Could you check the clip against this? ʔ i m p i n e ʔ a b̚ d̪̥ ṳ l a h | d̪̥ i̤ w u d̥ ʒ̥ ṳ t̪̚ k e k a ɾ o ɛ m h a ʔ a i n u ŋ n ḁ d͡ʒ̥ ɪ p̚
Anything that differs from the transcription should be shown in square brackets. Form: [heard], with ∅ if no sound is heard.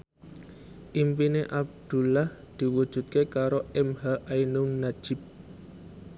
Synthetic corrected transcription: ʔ i m p i n e ʔ a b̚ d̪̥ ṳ l a h | d̪̥ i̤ w u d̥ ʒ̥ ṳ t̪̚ k e k a ɾ o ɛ m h a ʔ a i n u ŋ n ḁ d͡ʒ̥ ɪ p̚

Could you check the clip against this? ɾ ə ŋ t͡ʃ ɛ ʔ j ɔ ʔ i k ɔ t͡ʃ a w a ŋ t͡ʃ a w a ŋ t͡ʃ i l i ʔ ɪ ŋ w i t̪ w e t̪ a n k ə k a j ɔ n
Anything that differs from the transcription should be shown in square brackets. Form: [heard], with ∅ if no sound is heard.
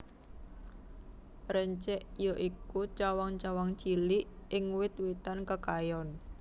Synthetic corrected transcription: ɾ ə [ɲ] t͡ʃ ɛ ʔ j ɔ ʔ i k [u] t͡ʃ a w a ŋ t͡ʃ a w a ŋ t͡ʃ i l i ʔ ɪ ŋ w [ɪ] t̪ w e t̪ a n k ə k a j ɔ n

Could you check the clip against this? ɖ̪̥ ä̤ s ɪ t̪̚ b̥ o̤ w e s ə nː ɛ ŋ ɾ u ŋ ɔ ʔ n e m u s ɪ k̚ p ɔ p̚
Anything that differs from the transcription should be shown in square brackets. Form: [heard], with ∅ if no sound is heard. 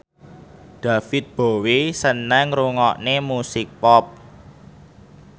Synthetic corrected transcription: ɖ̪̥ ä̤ [f] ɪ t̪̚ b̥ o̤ w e s ə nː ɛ ŋ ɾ u ŋ ɔ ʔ n e m u s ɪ k̚ p ɔ p̚

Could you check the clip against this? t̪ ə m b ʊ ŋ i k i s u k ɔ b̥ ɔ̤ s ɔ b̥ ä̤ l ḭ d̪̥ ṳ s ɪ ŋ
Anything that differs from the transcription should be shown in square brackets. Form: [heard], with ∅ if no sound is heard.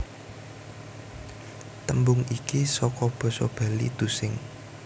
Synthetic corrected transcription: t̪ ə m b ʊ ŋ i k i s [ɔ] k ɔ b̥ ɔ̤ s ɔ b̥ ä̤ l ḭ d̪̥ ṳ s ɪ ŋ

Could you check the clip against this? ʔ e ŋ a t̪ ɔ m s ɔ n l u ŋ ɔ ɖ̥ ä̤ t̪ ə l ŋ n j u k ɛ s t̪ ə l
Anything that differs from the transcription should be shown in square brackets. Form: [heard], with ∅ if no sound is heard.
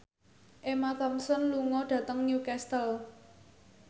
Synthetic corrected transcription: ʔ e [m] a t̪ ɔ m s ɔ n l u ŋ ɔ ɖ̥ ä̤ t̪ ə [∅] ŋ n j u k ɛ s t̪ ə l

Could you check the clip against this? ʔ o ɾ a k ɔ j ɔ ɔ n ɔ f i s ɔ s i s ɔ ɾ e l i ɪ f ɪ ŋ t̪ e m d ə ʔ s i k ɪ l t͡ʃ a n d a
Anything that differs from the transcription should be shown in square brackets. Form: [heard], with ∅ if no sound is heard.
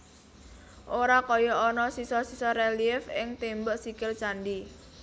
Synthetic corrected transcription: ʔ o ɾ a k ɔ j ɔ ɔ n ɔ [s] i s ɔ s i s ɔ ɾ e l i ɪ f ɪ ŋ t̪ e m [b] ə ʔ s i k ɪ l t͡ʃ a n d [i]

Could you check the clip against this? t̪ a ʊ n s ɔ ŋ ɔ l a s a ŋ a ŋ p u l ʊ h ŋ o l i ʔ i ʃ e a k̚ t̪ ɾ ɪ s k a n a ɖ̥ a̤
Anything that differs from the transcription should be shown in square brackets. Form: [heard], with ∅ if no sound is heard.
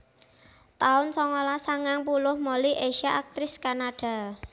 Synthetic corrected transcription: t̪ a ʊ n s ɔ ŋ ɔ l a s a ŋ a ŋ p u l ʊ h [m] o l i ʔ [e] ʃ [a] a k̚ t̪ ɾ ɪ s k a n a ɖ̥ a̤

